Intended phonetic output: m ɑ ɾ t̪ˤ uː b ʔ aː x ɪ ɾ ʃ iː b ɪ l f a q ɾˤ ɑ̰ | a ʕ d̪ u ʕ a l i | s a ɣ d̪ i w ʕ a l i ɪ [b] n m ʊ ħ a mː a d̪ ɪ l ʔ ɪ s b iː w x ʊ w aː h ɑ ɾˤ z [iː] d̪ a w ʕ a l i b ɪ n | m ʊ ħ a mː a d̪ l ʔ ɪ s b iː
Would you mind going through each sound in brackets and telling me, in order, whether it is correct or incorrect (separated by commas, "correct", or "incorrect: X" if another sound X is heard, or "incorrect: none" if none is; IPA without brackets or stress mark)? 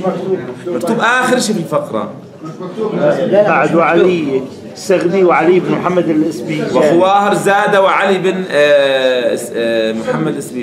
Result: correct, incorrect: aː